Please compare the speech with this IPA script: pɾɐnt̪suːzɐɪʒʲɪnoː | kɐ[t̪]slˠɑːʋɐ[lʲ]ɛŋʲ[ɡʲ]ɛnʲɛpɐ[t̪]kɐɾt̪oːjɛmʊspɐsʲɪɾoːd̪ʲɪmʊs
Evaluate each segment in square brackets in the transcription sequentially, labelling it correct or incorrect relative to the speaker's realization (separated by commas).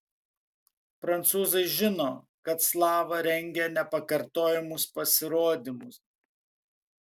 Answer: correct, incorrect, correct, incorrect